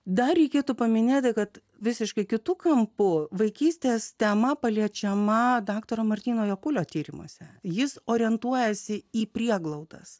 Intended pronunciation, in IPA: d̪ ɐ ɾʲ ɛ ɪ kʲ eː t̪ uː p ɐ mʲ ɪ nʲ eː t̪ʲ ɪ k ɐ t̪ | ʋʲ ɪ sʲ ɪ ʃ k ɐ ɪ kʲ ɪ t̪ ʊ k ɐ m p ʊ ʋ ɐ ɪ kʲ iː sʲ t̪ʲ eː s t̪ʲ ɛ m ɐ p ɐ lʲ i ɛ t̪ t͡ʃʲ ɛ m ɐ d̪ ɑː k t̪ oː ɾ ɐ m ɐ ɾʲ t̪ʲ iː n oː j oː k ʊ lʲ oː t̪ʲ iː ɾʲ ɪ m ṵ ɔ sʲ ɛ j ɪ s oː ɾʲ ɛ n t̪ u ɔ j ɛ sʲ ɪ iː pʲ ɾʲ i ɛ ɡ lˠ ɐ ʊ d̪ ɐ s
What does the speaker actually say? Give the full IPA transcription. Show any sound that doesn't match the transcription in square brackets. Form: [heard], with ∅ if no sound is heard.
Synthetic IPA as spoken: d̪ ɐ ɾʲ ɛ ɪ kʲ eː t̪ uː p ɐ mʲ ɪ nʲ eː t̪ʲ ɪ k ɐ t̪ | ʋʲ ɪ sʲ ɪ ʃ k ɐ ɪ kʲ ɪ t̪ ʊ k ɐ m p ʊ ʋ ɐ ɪ kʲ iː sʲ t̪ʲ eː s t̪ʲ ɛ m ɐ p ɐ lʲ i ɛ [∅] t͡ʃʲ ɛ m ɐ d̪ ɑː k t̪ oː ɾ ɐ m ɐ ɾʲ t̪ʲ iː n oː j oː k ʊ lʲ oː t̪ʲ iː ɾʲ ɪ m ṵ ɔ sʲ ɛ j ɪ s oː ɾʲ ɛ n t̪ u ɔ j ɛ sʲ ɪ iː pʲ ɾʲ i ɛ ɡ lˠ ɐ ʊ d̪ ɐ s